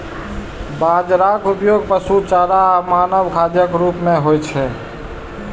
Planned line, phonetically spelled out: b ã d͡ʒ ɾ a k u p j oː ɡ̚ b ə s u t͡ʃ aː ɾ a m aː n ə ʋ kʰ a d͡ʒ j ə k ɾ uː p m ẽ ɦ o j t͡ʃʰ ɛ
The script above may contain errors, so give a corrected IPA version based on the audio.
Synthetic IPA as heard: b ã d͡ʒ ɾ a k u p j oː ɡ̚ p ə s u t͡ʃ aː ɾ a m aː n ə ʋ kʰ a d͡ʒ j ə k ɾ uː p m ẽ ɦ o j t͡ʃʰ ɛ